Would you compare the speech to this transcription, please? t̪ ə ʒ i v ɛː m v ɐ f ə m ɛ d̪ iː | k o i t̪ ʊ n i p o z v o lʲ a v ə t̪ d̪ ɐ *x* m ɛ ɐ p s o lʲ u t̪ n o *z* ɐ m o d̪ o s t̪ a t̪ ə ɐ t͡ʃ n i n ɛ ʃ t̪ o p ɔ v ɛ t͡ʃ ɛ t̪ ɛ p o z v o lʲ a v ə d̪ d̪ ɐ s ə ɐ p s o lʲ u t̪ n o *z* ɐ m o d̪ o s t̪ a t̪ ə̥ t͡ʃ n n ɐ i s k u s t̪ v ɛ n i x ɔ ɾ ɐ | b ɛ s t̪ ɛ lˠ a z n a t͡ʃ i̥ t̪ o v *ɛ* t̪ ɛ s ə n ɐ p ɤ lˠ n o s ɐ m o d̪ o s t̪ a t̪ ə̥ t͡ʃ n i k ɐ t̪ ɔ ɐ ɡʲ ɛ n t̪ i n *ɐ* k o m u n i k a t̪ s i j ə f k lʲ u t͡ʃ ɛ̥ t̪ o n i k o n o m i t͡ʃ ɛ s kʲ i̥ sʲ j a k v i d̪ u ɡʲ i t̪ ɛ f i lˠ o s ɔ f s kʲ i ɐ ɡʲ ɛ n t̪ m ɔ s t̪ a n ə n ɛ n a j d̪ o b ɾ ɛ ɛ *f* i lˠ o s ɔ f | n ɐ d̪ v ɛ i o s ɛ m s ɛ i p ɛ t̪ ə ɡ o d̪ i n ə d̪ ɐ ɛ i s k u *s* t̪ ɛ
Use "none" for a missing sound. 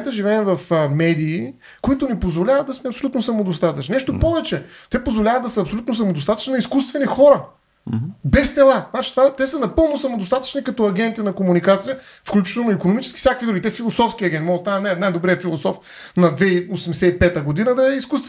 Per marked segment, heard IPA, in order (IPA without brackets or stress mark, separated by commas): s, s, s, a, ɐ, f, s